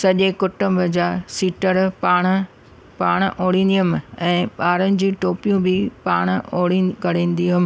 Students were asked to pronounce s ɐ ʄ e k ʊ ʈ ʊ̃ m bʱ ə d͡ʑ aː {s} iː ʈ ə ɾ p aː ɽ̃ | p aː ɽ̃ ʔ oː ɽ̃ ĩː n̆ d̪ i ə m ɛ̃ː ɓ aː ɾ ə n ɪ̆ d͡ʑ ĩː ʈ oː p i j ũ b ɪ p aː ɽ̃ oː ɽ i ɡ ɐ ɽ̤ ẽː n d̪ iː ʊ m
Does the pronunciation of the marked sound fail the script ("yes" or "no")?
no